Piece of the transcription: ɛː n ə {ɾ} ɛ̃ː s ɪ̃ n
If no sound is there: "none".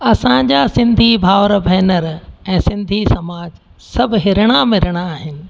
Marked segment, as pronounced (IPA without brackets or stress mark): ɾ